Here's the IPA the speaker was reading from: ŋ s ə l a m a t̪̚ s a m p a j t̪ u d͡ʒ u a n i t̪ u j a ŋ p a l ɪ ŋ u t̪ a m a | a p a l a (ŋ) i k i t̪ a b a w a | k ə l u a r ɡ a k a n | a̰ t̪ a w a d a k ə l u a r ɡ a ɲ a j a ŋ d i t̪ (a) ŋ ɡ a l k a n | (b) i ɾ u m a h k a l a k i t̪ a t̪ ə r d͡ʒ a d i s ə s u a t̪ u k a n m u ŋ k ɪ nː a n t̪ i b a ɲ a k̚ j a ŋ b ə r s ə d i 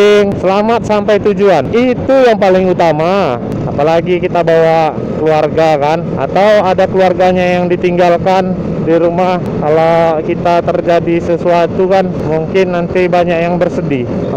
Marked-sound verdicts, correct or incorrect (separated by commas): incorrect, incorrect, incorrect